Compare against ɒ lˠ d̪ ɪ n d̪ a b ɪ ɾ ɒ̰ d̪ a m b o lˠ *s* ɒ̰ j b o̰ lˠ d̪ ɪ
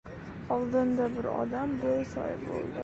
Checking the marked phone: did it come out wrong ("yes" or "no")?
no